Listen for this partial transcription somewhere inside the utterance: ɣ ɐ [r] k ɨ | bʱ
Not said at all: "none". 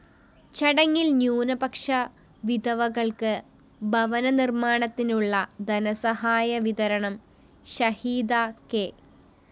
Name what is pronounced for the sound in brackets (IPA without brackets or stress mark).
ɭ